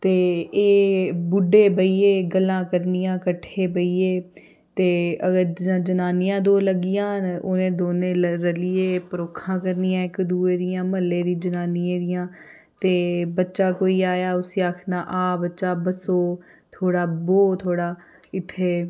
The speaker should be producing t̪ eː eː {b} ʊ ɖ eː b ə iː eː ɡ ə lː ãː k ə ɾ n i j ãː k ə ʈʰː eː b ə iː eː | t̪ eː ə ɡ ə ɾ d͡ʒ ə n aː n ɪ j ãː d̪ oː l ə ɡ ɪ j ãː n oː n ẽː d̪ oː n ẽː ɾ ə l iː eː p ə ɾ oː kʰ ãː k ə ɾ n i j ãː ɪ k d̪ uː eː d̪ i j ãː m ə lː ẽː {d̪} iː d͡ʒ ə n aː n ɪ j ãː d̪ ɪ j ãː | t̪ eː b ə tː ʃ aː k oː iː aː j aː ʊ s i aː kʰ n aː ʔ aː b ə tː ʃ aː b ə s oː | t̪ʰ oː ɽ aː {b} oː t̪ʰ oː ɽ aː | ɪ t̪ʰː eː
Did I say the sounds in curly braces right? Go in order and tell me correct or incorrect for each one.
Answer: correct, correct, correct

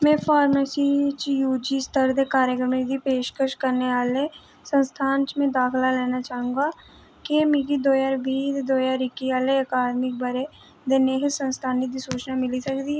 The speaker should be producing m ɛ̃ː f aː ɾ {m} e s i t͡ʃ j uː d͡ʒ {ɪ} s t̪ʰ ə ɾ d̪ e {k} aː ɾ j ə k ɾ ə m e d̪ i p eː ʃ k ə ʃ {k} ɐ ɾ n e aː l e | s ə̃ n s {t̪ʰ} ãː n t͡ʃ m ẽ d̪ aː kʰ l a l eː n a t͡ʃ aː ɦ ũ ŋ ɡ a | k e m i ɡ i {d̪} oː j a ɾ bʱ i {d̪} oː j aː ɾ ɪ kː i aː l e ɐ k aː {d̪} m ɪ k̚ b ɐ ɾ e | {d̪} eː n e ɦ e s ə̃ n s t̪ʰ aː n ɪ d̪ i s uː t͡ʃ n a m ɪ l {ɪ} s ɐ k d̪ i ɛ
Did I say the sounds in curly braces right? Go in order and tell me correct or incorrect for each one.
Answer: correct, incorrect: i, correct, correct, correct, correct, correct, correct, correct, incorrect: i

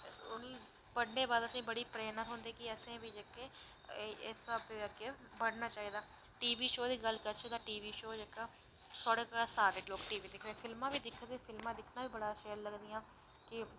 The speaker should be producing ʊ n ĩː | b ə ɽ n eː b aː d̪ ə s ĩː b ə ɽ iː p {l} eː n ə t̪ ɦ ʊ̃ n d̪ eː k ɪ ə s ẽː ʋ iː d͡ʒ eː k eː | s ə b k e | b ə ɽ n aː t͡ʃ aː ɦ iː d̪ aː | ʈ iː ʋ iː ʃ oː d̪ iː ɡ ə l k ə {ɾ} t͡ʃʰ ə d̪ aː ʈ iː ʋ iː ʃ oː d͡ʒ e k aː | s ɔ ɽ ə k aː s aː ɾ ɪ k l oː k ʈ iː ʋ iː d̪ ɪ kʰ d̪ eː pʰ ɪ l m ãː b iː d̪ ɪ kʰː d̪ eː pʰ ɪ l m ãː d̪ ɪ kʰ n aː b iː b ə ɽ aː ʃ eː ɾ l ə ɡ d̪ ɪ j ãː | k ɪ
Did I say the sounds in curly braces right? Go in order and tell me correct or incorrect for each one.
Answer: incorrect: ɾ, correct

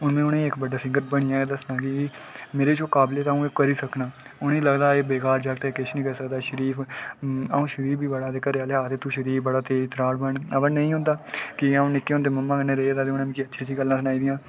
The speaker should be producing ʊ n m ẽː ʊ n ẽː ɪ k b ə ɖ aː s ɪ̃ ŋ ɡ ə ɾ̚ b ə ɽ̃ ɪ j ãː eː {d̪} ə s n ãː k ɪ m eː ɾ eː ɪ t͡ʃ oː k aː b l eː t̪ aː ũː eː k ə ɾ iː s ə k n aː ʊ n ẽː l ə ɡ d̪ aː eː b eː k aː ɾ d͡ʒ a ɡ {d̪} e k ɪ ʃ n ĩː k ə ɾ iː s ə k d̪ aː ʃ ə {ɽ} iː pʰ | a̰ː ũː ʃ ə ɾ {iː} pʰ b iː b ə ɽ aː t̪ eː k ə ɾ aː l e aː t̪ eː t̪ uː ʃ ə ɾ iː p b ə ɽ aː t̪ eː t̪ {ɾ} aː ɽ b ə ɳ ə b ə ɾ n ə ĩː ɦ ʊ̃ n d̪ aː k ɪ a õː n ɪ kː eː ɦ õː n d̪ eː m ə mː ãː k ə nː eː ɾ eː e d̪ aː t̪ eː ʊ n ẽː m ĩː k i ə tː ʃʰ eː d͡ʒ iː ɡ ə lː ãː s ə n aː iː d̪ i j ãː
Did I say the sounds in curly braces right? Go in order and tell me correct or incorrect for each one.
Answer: correct, incorrect: t̪, incorrect: ɾ, correct, correct

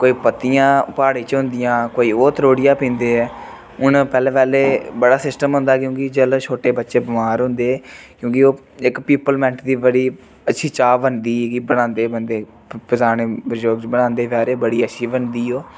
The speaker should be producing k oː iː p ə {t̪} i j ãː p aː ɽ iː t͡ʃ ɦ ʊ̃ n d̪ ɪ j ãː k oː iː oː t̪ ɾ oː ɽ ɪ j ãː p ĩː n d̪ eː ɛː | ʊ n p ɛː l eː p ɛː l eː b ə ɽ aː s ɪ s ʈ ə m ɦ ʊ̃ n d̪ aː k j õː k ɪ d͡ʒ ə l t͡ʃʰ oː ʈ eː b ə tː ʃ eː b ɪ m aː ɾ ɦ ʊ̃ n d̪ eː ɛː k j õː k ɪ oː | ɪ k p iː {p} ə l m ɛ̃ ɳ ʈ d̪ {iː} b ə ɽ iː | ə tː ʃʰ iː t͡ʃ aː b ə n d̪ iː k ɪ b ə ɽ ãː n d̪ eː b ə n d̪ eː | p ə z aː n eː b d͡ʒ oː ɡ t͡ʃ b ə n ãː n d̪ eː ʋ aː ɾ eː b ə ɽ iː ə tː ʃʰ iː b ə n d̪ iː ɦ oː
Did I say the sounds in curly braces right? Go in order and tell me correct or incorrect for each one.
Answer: correct, correct, correct

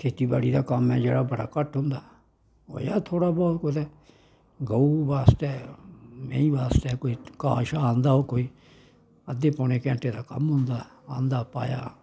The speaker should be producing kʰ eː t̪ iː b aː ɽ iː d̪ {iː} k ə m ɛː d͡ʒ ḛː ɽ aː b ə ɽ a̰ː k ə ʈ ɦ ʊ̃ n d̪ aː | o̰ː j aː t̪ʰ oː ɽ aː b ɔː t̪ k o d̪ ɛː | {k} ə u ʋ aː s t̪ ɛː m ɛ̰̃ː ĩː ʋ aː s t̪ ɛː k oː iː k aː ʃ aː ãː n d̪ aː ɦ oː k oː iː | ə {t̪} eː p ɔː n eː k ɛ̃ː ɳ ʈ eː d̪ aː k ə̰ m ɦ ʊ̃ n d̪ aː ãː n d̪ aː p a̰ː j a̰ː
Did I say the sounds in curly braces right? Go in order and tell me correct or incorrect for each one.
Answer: incorrect: aː, incorrect: ɡ, incorrect: d̪

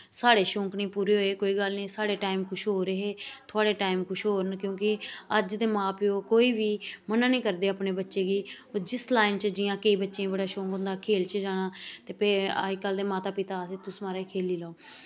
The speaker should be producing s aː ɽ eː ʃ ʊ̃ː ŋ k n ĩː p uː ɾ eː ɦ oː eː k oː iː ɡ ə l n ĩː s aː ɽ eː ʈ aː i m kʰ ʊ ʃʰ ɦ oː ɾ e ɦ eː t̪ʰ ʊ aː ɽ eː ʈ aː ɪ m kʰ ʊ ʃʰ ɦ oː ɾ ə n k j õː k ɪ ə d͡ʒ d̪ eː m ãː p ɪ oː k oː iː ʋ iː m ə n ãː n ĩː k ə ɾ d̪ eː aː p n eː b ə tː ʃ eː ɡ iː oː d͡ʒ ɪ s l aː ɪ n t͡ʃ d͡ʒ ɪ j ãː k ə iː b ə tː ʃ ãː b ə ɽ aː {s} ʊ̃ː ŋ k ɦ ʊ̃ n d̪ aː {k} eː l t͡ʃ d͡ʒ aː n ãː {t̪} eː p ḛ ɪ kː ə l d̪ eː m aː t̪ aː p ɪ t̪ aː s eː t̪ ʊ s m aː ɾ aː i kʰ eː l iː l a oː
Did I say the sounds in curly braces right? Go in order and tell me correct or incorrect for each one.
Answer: incorrect: ʃ, incorrect: kʰ, correct

